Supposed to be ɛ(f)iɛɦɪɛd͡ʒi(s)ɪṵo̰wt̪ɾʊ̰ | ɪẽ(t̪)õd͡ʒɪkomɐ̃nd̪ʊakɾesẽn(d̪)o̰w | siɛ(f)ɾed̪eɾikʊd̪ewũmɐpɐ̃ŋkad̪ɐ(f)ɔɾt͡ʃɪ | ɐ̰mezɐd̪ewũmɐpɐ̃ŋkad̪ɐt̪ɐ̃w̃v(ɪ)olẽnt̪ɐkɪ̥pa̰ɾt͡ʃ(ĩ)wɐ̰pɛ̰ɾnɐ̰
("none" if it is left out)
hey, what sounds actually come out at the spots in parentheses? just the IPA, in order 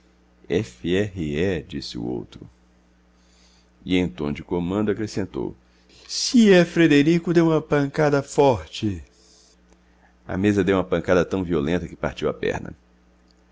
f, s, t̪, t̪, f, f, i, i

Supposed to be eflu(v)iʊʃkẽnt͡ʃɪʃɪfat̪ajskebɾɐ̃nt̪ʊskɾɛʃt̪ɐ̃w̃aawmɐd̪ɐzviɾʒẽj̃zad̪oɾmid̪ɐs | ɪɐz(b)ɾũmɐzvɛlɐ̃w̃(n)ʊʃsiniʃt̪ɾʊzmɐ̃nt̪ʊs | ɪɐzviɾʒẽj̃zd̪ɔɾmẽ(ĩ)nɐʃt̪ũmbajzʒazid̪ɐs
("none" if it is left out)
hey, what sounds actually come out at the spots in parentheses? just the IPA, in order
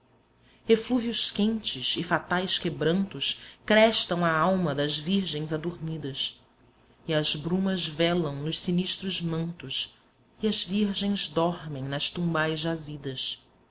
v, b, n, j̃

